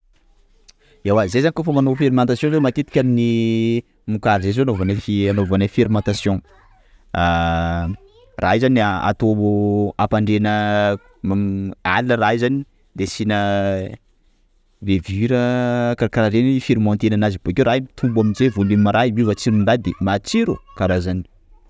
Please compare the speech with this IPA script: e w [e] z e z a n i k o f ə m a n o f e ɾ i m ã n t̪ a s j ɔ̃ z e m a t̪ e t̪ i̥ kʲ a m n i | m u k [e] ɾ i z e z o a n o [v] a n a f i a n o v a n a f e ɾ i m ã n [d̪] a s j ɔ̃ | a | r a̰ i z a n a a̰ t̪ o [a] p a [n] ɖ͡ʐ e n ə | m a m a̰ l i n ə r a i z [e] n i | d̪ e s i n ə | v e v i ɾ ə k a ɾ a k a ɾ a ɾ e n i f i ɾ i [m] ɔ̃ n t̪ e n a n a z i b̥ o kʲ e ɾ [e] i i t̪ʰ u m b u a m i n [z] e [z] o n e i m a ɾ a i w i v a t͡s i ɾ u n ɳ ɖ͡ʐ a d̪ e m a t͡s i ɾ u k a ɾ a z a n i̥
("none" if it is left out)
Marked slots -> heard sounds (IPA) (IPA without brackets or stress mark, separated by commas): a, a, v, t̪, a, ɳ, a, m, a, z, v